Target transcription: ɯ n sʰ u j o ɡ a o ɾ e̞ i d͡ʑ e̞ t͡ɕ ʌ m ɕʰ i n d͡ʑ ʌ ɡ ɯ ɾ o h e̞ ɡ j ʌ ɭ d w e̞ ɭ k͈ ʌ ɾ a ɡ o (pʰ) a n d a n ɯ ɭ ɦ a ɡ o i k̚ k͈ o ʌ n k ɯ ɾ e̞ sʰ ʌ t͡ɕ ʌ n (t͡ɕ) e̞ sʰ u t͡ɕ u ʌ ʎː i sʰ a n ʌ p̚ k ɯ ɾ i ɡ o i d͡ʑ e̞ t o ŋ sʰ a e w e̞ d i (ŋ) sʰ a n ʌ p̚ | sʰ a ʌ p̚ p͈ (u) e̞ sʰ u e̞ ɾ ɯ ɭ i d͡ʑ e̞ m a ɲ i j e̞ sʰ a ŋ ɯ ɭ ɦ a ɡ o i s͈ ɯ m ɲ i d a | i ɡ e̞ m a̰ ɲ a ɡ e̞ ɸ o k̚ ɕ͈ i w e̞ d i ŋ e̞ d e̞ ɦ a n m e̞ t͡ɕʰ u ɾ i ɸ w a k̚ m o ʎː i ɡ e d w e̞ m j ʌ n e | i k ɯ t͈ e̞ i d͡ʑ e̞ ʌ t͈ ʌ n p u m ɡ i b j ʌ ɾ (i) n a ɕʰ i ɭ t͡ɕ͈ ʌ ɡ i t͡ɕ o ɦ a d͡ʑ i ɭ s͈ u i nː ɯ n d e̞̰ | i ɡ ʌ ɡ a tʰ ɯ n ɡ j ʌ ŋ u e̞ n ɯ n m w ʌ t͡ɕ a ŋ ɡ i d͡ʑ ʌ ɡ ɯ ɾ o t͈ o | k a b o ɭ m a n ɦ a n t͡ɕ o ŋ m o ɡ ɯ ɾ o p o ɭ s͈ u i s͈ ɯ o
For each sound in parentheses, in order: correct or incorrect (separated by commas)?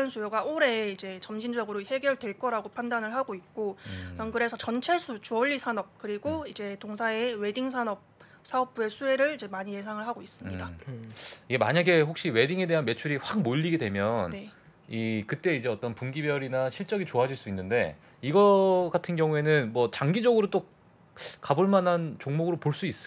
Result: correct, incorrect, correct, correct, correct